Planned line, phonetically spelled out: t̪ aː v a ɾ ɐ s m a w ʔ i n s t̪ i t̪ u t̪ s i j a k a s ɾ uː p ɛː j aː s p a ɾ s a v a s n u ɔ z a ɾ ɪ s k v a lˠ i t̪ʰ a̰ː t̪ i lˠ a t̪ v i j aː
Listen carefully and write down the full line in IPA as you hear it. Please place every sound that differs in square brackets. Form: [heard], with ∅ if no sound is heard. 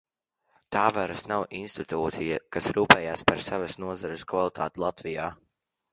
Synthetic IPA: t̪ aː v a ɾ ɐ s [n] a w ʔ i n s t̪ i t̪ [uː] t̪ s i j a k a s ɾ uː p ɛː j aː s p a ɾ s a v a s n u ɔ z a ɾ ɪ s k v a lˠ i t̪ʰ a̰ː t̪ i lˠ a t̪ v i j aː